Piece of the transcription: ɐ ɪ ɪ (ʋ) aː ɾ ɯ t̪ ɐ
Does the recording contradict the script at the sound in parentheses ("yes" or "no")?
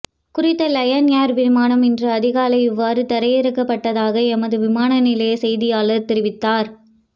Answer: yes